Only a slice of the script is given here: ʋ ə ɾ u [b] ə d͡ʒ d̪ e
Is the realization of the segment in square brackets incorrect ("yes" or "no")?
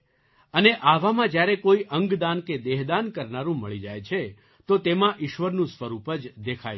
yes